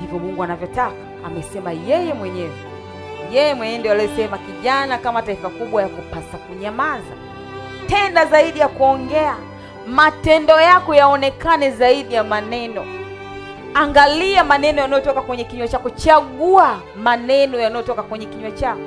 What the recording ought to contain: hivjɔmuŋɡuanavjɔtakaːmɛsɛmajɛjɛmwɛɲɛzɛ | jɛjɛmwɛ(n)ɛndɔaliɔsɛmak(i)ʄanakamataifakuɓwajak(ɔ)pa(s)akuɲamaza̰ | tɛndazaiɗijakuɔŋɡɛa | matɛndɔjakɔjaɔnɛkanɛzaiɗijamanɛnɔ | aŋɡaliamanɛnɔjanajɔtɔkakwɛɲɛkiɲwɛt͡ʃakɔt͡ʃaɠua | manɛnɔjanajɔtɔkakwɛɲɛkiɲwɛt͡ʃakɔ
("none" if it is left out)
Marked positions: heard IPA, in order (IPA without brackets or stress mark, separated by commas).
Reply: ɲ, i, u, s